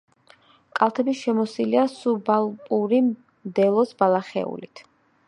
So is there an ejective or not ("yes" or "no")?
yes